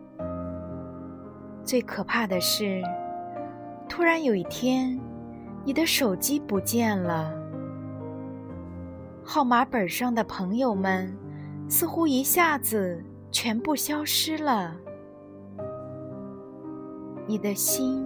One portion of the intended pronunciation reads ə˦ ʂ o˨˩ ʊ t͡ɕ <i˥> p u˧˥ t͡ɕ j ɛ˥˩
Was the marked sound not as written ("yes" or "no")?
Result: no